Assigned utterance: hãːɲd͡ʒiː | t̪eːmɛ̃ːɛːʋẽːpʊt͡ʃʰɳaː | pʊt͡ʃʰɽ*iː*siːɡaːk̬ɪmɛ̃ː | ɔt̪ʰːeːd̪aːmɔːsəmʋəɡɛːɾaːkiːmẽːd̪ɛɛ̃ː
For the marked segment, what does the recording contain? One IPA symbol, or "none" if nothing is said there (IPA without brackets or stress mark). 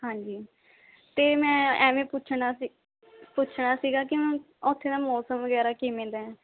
aː